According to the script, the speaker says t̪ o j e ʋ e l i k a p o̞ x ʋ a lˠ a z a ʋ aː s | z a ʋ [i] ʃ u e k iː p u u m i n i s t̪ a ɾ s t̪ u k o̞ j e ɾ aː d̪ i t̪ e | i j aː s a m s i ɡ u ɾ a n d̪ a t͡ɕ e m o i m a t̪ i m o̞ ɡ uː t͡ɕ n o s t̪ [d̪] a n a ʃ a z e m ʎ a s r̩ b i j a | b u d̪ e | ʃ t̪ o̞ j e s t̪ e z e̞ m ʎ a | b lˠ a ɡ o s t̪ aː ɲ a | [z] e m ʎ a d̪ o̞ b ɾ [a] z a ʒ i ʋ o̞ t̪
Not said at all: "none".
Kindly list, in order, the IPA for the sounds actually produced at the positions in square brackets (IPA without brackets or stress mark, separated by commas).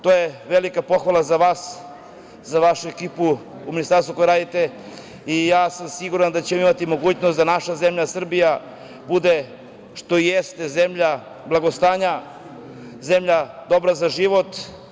a, d̪, z, a